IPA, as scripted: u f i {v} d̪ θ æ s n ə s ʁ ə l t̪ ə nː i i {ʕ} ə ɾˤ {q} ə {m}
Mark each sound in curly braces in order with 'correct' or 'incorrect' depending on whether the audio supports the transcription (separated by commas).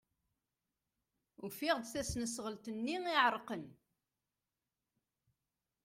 incorrect, correct, correct, incorrect